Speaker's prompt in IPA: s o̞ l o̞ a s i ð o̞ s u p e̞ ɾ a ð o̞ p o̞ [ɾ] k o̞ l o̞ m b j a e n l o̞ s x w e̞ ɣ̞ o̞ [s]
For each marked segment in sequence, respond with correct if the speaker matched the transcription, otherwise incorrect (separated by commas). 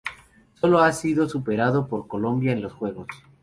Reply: correct, correct